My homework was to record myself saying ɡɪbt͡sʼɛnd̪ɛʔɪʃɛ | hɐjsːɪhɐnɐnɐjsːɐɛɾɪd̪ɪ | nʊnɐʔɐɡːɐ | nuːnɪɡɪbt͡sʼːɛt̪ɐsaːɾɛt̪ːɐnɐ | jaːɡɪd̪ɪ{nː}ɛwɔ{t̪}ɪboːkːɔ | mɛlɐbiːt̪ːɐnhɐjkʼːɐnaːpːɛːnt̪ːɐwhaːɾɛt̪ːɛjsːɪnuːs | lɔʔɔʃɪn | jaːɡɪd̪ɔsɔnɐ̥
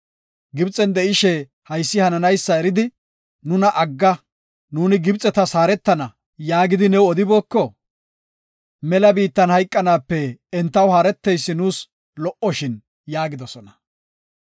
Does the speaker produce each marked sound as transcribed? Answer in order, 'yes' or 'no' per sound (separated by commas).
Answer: no, no